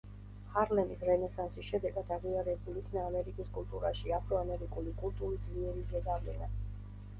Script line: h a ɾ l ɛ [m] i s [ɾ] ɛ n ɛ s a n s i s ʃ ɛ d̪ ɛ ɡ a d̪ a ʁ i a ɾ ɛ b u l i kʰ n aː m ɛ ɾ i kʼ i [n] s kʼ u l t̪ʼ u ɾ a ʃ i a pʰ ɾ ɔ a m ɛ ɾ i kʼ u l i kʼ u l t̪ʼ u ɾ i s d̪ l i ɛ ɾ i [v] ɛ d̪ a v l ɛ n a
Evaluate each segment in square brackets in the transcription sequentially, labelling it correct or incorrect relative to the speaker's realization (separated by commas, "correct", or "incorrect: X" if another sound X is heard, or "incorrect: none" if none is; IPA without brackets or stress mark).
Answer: correct, correct, incorrect: none, incorrect: z